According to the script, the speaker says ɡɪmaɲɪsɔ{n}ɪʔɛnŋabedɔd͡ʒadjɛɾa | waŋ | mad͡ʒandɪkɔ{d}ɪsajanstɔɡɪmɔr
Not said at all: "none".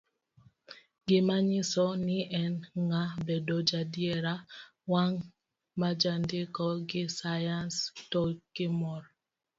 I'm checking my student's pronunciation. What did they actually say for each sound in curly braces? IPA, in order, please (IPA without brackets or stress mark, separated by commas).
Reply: n, ɡ